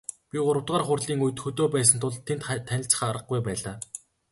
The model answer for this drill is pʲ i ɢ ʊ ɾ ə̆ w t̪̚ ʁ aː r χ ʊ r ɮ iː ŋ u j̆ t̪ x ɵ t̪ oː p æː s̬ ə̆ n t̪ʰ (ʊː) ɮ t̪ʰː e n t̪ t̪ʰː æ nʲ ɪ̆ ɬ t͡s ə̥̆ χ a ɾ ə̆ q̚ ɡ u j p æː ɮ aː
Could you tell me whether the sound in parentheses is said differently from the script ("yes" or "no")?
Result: yes